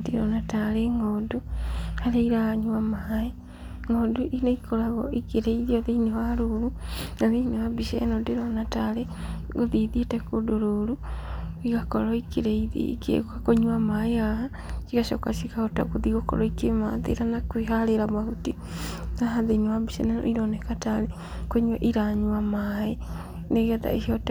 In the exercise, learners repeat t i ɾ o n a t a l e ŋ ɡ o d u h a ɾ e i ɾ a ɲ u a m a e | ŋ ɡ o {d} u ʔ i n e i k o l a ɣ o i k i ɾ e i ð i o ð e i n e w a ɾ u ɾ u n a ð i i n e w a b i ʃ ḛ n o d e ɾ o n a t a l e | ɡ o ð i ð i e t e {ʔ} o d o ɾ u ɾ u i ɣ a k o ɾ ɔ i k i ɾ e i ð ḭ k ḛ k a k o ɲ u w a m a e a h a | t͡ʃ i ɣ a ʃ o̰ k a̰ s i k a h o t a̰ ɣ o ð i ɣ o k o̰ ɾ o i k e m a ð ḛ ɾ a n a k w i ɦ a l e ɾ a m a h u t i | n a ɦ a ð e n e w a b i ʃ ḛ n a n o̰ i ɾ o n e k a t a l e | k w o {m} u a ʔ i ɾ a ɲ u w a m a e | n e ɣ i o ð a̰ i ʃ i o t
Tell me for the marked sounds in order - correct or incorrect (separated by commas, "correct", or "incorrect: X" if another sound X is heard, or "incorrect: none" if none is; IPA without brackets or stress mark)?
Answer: correct, incorrect: k, incorrect: ɲ